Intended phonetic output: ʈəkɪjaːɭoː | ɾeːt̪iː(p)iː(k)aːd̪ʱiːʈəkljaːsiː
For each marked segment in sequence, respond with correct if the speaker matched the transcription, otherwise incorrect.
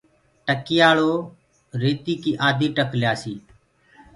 incorrect: k, incorrect: ʔ

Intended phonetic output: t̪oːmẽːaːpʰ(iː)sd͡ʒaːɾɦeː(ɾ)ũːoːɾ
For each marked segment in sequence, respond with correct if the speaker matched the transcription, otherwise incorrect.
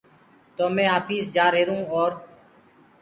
correct, correct

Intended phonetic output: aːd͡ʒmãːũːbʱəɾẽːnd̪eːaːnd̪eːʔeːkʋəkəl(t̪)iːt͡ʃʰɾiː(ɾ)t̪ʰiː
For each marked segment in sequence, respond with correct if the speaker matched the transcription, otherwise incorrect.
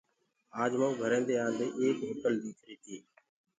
incorrect: d̪, incorrect: none

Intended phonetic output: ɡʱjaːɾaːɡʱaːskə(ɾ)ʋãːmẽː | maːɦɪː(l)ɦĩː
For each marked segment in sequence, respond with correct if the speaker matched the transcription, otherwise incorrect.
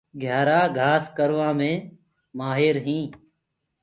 correct, incorrect: ɾ

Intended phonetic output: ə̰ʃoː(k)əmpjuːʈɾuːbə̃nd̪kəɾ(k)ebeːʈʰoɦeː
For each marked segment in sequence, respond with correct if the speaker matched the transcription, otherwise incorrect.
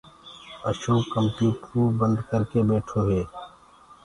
correct, correct

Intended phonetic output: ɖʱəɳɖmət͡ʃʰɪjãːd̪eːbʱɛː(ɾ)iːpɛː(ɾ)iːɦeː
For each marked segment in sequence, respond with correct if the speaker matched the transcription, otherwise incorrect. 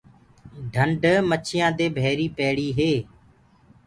correct, incorrect: ɽ

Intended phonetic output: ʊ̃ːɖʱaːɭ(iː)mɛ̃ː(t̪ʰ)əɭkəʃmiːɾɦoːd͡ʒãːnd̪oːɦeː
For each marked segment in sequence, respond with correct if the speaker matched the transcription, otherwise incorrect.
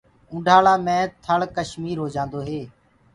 incorrect: aː, correct

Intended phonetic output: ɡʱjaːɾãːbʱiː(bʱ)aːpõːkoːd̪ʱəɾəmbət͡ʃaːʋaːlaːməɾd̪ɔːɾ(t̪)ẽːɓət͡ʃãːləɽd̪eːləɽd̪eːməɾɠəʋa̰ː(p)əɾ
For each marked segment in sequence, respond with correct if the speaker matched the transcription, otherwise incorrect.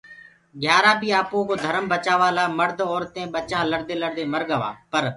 incorrect: none, correct, correct

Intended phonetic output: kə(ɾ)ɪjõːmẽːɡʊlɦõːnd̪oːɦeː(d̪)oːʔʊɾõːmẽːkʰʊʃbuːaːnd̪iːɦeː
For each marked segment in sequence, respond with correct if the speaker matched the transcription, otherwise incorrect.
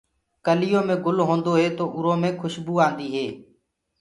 incorrect: l, incorrect: t̪

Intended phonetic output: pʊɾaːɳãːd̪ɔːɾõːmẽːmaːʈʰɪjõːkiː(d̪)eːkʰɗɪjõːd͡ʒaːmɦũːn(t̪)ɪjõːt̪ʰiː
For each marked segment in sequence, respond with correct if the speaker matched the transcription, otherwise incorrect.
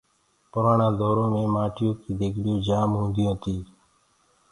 correct, incorrect: d̪

